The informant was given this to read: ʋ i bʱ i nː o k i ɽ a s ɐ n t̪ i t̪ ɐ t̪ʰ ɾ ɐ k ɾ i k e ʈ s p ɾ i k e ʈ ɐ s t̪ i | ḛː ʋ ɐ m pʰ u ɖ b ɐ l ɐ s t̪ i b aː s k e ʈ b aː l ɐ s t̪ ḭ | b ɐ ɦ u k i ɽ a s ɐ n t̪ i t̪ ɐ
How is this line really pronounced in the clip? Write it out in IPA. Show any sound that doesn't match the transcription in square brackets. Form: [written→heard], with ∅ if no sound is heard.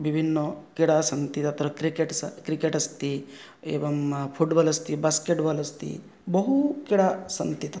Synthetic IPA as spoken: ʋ i bʱ i nː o k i ɽ a s ɐ n t̪ i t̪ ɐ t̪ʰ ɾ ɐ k ɾ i k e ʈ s [p→k] ɾ i k e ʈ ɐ s t̪ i | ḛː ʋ ɐ m pʰ u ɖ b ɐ l ɐ s t̪ i b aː s k e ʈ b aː l ɐ s t̪ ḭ | b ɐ ɦ u k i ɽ a s ɐ n t̪ i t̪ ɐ

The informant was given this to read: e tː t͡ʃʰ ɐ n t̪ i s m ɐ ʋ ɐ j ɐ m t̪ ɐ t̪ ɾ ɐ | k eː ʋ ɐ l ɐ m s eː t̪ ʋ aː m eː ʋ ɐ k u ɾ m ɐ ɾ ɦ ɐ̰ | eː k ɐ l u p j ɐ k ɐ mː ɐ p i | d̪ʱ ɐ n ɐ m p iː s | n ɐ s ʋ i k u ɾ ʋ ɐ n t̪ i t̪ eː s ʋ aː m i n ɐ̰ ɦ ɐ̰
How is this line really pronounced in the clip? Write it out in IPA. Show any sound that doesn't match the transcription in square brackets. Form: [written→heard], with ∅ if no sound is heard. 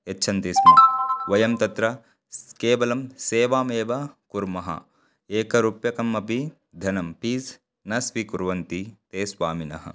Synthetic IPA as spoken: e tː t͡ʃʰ ɐ n t̪ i s m ɐ ʋ ɐ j ɐ m t̪ ɐ t̪ ɾ ɐ | k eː ʋ ɐ l ɐ m s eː [t̪→∅] ʋ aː m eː ʋ ɐ k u ɾ m ɐ [ɾ→∅] ɦ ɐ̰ | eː k ɐ [l→ɾ] u p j ɐ k ɐ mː ɐ p i | d̪ʱ ɐ n ɐ m p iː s | n ɐ s ʋ i k u ɾ ʋ ɐ n t̪ i t̪ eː s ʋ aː m i n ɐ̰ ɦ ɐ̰

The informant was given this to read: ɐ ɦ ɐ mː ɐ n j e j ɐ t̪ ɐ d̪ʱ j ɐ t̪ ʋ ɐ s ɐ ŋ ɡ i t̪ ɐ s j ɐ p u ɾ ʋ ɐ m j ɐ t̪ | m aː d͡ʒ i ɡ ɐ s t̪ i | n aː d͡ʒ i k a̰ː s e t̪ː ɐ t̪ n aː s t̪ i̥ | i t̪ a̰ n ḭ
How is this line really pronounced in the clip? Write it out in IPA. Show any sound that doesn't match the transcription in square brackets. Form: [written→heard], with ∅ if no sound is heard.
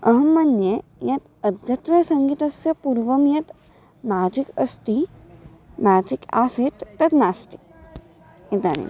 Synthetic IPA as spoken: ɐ ɦ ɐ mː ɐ n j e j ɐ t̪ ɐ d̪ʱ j ɐ t̪ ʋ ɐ s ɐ ŋ ɡ i t̪ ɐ s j ɐ p u ɾ ʋ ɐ m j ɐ t̪ | m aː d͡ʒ i [ɡ→k] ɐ s t̪ i | [n→m] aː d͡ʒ i k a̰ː s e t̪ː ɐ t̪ n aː s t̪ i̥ | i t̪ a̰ n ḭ

